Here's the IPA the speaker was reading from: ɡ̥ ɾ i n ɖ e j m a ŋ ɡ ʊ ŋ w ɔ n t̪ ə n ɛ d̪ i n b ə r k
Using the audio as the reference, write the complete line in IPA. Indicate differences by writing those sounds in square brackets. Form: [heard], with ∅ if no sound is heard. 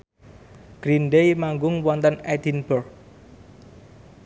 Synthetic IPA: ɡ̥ ɾ i n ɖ e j m a ŋ ɡ ʊ ŋ w ɔ n t̪ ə n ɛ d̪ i n b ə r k